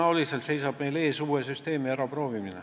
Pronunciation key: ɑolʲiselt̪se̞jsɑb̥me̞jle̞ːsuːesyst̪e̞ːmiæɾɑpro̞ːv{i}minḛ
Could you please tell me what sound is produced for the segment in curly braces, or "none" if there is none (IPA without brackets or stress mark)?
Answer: i